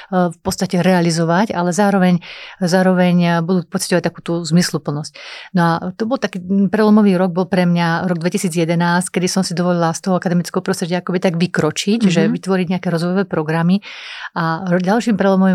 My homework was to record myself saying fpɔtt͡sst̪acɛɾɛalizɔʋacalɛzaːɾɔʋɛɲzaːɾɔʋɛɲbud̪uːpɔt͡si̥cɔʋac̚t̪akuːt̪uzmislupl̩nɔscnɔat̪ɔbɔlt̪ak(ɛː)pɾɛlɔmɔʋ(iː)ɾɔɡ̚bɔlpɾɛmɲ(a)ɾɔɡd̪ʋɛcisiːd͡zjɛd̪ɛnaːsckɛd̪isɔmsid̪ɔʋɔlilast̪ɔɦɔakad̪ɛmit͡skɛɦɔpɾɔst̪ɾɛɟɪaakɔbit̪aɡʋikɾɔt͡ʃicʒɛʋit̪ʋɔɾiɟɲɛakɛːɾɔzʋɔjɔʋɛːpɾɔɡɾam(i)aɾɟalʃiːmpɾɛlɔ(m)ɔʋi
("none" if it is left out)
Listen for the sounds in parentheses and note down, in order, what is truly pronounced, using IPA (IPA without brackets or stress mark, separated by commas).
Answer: iː, iː, a, i, m